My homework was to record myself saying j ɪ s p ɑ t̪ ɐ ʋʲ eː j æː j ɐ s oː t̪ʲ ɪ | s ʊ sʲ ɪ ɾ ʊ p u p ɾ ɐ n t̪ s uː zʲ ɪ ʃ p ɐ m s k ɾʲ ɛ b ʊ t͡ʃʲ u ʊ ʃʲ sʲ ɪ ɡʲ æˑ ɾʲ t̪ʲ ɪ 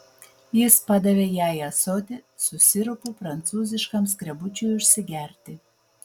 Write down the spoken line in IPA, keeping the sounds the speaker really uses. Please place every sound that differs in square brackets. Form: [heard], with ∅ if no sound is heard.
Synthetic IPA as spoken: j ɪ s p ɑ [d̪] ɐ ʋʲ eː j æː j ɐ s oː t̪ʲ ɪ | s ʊ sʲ ɪ ɾ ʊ p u p ɾ ɐ n t̪ s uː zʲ ɪ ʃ [k] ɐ m s k ɾʲ ɛ b ʊ t͡ʃʲ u ʊ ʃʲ sʲ ɪ ɡʲ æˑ ɾʲ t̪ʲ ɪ